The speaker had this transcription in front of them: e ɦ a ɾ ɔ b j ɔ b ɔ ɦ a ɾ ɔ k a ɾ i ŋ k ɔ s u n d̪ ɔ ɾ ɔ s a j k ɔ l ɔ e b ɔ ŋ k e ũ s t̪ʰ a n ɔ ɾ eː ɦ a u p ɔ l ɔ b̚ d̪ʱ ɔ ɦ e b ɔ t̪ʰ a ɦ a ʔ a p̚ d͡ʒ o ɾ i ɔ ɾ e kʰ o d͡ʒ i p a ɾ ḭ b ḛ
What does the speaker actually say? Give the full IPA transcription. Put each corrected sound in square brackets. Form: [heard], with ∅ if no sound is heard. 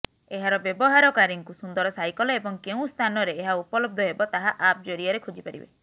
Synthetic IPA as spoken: e ɦ a ɾ ɔ b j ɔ b ɔ ɦ a ɾ ɔ k a ɾ i ŋ k [u] s u n d̪ ɔ ɾ ɔ s a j k ɔ l ɔ e b ɔ ŋ k e ũ s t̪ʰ a n ɔ ɾ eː ɦ a u p ɔ l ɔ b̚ d̪ʱ ɔ ɦ e b ɔ [t̪] a ɦ a ʔ a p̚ d͡ʒ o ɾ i ɔ ɾ e kʰ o d͡ʒ i p a ɾ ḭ b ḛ